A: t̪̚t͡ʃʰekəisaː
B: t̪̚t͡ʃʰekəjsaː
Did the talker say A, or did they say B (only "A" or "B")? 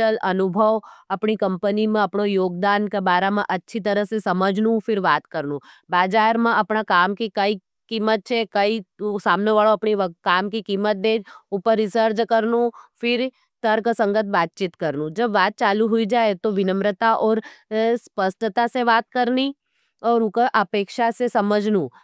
A